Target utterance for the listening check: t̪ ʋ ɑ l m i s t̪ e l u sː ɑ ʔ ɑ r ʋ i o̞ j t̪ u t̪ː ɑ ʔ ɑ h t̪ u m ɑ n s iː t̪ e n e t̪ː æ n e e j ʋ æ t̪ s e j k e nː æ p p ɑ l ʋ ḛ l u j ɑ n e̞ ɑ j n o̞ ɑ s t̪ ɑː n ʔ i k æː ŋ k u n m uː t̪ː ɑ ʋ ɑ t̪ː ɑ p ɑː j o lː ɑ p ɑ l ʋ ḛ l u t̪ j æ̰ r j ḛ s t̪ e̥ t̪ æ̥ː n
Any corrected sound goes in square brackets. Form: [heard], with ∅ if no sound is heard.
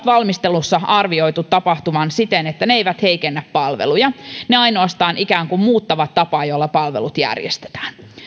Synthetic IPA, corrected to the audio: t̪ ʋ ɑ l m i s t̪ e l u sː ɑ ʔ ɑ r ʋ i o̞ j t̪ u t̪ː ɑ [p] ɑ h t̪ u m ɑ n s [i] t̪ e n e t̪ː æ n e e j ʋ æ t̪ [h] e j k e nː æ p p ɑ l ʋ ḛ l u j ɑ n e̞ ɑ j n o̞ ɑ s t̪ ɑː n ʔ i k æː ŋ k u [m] m uː t̪ː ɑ ʋ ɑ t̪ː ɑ p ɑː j o lː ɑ p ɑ l ʋ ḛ l u t̪ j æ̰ r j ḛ s t̪ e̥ t̪ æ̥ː n